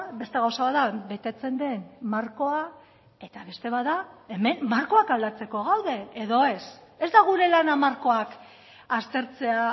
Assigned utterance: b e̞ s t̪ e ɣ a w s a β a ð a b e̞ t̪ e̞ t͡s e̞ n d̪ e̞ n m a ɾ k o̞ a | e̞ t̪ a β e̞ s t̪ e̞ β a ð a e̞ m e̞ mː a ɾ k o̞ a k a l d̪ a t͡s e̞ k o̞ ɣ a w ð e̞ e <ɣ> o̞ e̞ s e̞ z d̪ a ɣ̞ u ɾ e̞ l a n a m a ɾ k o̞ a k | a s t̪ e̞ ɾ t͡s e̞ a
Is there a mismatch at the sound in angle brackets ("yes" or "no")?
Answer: yes